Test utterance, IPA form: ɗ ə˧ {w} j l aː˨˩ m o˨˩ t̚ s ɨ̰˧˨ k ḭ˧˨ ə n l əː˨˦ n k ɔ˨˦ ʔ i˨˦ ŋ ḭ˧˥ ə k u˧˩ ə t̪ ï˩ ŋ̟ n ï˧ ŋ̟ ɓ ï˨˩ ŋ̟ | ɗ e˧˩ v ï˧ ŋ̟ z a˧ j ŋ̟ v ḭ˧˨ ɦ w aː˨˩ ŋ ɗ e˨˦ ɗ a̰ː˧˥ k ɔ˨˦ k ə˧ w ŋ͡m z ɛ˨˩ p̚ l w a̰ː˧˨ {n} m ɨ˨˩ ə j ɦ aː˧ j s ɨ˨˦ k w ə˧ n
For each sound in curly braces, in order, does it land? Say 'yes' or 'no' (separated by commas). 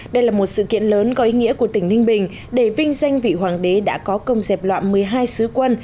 no, yes